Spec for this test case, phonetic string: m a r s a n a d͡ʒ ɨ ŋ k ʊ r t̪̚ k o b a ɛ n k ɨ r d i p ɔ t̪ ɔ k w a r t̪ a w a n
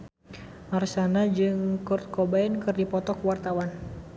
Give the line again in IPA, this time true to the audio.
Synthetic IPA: m a r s a n a d͡ʒ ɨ ŋ k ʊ r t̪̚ k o b a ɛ n k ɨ r d i p ɔ t̪ ɔ k w a r t̪ a w a n